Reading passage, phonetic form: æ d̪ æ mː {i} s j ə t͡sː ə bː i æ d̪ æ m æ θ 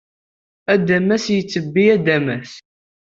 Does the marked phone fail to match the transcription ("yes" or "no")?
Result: yes